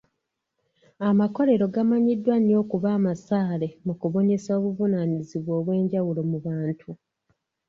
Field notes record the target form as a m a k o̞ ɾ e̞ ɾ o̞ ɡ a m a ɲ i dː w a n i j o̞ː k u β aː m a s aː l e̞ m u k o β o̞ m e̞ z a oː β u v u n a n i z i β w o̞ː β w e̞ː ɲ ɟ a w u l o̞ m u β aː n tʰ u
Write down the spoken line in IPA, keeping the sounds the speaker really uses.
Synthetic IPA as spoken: a m a k o̞ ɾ e̞ ɾ o̞ ɡ a m a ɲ i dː w a n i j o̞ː k u β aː m a s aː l e̞ m u k u β o̞ ɲ e̞ s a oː β u v u n a n i z i β w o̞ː β w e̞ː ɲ ɟ a w u l o̞ m u β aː n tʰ u

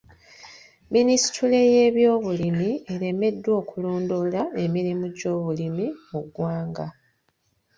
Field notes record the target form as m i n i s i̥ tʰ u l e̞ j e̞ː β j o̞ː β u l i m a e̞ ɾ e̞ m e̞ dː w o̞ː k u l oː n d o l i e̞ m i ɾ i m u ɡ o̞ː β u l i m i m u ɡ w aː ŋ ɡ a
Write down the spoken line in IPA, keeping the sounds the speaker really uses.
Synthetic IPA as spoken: m i n i s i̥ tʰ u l e̞ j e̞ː β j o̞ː β u l i m i e̞ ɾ e̞ m e̞ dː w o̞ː k u l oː n d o l a e̞ m i ɾ i m u ɟ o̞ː β u l i m i m u ɡ w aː ŋ ɡ a

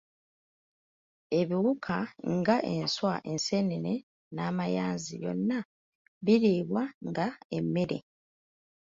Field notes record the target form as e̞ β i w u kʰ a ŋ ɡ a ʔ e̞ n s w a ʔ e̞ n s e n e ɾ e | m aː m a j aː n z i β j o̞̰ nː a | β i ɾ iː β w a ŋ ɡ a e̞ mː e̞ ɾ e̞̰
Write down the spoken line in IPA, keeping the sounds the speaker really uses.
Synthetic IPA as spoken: e̞ β i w u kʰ a ŋ ɡ a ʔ e̞ n s w a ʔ e̞ n s e n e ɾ e | n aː m a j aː n z i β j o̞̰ nː a | β i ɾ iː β w a ŋ ɡ a e̞ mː e̞ ɾ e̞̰

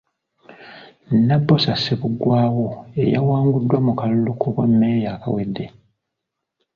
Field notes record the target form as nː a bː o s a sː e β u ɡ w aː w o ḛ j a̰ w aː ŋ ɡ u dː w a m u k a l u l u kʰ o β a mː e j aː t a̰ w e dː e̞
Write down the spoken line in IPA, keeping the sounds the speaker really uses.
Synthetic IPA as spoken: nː a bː o s a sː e β u ɡ w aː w o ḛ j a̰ w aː ŋ ɡ u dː w a m u k a l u l u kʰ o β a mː e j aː k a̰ w e dː e̞

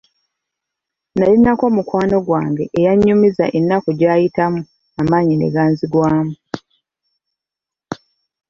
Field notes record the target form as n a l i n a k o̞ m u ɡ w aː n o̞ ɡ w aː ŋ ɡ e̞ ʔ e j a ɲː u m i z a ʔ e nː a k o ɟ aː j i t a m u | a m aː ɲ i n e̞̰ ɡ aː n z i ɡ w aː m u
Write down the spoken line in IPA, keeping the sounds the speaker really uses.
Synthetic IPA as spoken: n a l i n a k o̞ m u k w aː n o̞ ɡ w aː ŋ ɡ e̞ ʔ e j a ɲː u m i z a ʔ e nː a k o ɟ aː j i t a m u | a m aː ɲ i n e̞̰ ɡ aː n z i ɡ w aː m u

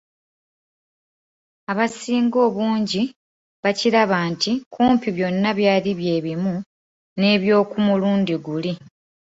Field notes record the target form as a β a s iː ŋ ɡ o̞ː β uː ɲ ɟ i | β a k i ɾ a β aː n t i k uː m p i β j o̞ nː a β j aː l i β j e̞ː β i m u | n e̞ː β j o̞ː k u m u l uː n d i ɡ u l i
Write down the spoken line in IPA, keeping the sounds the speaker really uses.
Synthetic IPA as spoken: a β a s iː ŋ ɡ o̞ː β uː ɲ ɟ i | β a c i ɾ a β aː n t i k uː m p i β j o̞ nː a β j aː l i β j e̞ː β i m u | n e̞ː β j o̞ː k u m u l uː n d i ɡ u l i

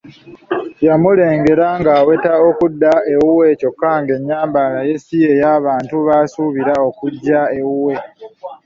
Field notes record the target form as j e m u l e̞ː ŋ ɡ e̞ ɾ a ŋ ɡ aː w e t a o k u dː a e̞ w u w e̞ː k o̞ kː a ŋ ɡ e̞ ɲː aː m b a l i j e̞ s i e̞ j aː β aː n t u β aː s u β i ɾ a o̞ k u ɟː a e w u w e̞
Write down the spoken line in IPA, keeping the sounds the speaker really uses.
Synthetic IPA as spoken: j a m u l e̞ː ŋ ɡ e̞ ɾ a ŋ ɡ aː w e t a o k u dː a e̞ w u w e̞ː c o̞ kː a ŋ ɡ e̞ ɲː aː m b a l a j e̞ s i e̞ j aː β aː n t u β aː s u β i ɾ a o̞ k u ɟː a e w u w e̞

